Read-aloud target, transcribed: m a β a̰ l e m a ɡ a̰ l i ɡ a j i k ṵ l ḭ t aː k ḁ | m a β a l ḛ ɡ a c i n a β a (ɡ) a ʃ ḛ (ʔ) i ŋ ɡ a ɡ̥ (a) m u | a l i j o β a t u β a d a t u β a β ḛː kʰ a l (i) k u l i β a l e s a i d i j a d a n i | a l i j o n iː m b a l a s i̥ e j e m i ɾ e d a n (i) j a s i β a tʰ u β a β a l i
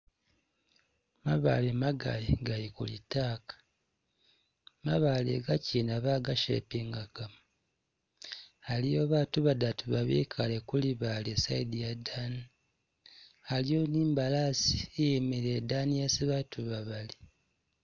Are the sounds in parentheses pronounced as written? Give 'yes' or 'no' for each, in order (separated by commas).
yes, no, yes, no, yes